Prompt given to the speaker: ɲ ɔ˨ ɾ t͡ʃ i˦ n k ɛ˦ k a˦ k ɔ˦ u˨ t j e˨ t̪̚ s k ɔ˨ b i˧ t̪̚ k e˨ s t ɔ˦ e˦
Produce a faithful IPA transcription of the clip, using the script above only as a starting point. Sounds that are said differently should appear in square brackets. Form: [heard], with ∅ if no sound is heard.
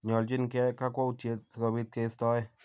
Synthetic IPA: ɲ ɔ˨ [l] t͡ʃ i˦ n k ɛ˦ k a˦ k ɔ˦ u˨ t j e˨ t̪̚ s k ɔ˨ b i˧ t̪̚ k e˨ s t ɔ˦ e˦